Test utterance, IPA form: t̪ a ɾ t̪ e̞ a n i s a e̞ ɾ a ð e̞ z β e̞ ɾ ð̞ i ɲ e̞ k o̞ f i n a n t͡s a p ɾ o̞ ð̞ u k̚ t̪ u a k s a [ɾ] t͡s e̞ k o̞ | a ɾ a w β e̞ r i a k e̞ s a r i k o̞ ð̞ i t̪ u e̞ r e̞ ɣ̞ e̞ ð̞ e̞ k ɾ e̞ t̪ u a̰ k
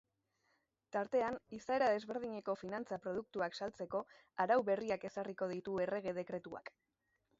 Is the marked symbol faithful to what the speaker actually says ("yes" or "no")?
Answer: no